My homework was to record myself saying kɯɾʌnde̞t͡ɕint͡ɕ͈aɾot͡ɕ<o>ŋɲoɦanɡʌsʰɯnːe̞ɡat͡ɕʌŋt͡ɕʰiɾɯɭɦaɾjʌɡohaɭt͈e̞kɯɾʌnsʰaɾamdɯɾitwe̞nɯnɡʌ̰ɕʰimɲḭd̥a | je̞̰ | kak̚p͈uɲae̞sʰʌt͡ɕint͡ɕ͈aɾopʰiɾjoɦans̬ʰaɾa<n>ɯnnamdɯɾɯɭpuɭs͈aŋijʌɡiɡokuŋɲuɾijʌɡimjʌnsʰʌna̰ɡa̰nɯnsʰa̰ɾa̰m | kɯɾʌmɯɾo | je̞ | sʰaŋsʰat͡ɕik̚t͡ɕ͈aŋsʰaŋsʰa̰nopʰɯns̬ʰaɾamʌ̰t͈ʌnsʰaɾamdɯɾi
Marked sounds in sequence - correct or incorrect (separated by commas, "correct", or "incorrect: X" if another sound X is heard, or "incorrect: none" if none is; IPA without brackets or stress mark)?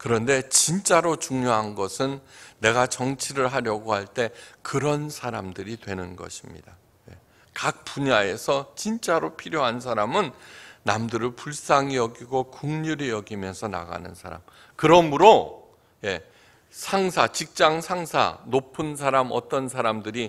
incorrect: u, incorrect: m